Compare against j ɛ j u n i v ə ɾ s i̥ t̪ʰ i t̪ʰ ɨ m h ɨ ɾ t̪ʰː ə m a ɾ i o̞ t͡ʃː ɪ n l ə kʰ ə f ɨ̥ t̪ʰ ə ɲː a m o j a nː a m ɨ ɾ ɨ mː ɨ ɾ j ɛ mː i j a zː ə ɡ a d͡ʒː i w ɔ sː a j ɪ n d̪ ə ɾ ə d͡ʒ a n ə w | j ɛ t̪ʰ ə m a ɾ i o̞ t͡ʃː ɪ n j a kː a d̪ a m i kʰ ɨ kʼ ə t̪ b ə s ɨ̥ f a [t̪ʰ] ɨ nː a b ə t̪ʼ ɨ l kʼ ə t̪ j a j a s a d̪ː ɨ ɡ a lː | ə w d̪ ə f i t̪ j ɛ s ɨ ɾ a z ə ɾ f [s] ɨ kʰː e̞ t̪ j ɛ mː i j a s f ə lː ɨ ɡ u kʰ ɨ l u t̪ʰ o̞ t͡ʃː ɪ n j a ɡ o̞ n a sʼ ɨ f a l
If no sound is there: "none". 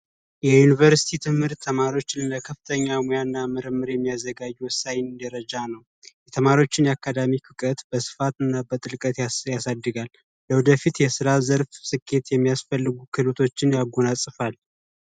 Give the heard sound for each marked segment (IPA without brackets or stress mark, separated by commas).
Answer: t̪, s